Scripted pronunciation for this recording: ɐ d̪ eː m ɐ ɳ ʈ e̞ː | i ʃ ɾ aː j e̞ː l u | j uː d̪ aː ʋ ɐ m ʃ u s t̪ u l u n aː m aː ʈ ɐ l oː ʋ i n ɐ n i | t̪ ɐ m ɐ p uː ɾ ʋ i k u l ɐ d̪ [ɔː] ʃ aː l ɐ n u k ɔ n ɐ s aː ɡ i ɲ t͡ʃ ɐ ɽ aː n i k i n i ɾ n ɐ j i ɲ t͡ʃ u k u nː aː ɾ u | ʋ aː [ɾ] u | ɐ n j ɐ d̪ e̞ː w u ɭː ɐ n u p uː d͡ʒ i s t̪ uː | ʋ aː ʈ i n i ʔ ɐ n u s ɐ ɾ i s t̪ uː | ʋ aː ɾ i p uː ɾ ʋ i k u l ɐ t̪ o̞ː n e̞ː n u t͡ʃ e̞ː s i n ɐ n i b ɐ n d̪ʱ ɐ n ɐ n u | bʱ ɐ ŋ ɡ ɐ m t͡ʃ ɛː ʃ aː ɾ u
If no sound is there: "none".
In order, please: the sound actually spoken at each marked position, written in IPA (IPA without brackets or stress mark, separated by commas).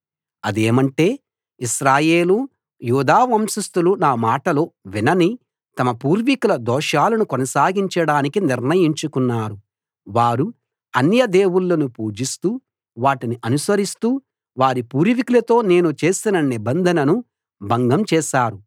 ɔː, ɾ